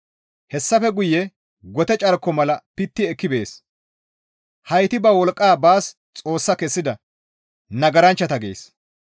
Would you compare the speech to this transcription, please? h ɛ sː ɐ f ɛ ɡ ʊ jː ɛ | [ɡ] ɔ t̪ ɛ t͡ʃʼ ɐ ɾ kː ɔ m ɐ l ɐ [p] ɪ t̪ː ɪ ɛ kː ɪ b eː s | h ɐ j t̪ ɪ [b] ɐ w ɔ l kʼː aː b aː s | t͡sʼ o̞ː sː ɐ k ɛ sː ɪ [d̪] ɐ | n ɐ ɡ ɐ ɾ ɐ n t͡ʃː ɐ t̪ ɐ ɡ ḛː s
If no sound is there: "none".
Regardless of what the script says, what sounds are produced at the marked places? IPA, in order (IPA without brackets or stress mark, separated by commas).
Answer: ɡ, p, b, d̪